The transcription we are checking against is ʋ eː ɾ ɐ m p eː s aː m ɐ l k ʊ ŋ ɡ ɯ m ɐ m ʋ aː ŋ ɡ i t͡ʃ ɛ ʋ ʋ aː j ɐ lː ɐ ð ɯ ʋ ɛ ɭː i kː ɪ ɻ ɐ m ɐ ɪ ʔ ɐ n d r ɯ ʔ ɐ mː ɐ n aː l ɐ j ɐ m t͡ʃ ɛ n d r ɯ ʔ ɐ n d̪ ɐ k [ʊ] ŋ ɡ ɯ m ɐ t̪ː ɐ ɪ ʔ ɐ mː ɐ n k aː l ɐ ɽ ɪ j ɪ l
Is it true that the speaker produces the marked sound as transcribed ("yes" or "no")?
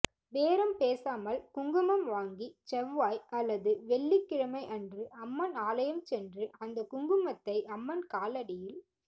yes